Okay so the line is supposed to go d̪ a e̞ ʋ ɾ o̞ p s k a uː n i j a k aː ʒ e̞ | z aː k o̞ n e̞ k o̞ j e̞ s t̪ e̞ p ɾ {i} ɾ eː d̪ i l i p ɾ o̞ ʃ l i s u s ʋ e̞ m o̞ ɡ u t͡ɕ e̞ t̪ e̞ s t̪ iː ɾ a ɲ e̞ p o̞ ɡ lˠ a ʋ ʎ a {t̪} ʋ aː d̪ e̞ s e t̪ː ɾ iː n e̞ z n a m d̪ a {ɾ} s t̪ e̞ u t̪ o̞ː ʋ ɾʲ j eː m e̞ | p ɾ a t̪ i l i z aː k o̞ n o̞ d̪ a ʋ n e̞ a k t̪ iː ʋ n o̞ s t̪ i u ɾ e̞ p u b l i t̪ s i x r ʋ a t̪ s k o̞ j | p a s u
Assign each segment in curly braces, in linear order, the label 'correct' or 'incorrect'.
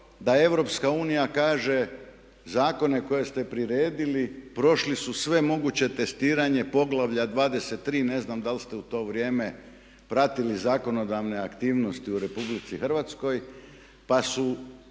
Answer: correct, incorrect: d̪, incorrect: l

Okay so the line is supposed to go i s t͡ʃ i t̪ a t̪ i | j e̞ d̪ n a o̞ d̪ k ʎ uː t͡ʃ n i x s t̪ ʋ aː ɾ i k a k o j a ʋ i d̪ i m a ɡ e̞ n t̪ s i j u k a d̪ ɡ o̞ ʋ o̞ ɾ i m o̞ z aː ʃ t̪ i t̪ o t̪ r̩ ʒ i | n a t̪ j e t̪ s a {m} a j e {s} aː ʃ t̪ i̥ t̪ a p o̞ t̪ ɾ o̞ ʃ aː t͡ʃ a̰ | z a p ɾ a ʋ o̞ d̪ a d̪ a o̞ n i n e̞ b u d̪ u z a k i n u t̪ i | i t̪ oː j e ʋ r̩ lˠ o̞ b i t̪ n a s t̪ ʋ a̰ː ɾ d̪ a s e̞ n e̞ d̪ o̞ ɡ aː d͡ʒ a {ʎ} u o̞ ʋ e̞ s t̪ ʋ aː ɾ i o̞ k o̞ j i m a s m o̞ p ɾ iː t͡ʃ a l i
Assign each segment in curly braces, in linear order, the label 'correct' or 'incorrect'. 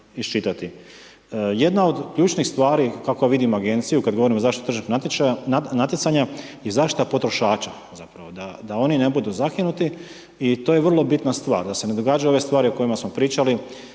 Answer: incorrect: ɲ, incorrect: z, incorrect: j

